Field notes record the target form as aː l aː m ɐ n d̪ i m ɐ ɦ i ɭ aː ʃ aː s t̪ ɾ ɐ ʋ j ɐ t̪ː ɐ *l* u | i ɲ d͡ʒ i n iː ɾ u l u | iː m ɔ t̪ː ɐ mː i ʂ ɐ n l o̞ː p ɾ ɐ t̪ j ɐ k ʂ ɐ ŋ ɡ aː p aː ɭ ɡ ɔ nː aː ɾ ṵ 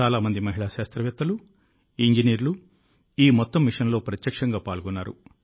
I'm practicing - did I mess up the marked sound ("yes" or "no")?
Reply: no